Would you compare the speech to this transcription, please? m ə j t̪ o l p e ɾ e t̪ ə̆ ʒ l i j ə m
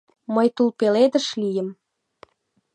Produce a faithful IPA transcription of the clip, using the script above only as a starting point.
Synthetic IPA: m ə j t̪ u l p e l e d̪ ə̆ ʃ l i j ə m